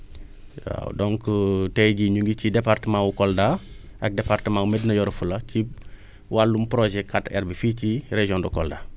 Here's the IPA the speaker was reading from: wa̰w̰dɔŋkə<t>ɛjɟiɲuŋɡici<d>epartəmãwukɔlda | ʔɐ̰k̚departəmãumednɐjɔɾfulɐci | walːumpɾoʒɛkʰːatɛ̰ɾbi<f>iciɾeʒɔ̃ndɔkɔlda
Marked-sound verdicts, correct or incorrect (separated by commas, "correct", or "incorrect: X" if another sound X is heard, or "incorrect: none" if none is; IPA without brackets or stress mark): correct, correct, correct